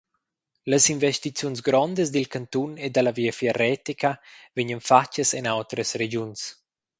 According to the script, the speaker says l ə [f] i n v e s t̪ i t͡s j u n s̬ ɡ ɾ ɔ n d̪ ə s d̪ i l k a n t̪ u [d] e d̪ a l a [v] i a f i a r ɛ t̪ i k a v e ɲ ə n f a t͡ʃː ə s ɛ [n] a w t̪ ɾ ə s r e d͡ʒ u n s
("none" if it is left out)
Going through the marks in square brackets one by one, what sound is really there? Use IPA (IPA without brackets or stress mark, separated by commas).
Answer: s, n, v, n